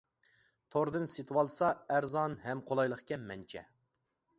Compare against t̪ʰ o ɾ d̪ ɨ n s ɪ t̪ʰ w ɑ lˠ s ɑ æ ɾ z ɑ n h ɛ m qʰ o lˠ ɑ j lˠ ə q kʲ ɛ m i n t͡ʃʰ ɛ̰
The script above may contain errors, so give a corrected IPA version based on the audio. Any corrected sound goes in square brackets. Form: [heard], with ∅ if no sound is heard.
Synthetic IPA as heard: t̪ʰ o ɾ d̪ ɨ n s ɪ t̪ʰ w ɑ lˠ s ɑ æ ɾ z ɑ n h ɛ m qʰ o lˠ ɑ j lˠ ə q kʲ ɛ m [ɛ] n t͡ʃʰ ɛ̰